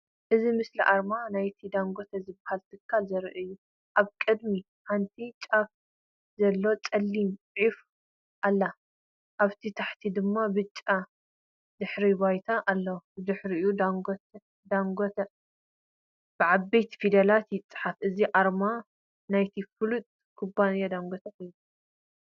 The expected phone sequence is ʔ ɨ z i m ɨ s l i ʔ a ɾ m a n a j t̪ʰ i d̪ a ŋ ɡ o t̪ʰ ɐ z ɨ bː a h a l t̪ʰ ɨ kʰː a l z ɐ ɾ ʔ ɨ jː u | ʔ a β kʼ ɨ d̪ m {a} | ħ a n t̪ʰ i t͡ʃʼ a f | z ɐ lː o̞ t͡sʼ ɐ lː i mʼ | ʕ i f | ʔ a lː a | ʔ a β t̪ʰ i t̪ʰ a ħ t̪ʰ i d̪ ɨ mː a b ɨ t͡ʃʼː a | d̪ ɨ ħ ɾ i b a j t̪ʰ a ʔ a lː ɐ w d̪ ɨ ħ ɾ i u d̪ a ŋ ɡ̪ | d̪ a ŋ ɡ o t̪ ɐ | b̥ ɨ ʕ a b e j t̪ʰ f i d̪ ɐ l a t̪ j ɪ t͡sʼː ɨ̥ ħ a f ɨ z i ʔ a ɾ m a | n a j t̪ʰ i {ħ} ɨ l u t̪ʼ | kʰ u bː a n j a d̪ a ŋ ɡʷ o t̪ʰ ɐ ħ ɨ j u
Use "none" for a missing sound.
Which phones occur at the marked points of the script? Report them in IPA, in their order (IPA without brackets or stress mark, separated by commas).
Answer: i, f